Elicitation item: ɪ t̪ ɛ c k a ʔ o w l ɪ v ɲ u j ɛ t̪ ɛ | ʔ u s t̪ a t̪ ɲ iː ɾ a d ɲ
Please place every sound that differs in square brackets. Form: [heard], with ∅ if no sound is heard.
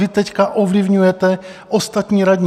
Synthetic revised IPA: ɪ t̪ ɛ c k a ʔ o [v] l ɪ v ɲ u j ɛ t̪ ɛ | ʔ [o] s t̪ a t̪ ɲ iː ɾ a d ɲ